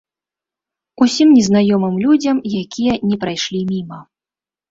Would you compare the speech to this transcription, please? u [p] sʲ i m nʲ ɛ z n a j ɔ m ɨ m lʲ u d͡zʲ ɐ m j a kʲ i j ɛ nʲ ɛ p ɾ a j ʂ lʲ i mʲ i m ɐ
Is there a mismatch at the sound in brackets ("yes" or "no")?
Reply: yes